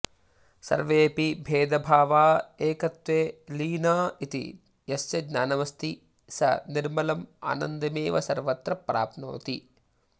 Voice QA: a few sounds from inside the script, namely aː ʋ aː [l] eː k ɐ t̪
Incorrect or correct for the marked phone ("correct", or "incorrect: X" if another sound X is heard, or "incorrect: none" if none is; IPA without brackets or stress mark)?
incorrect: none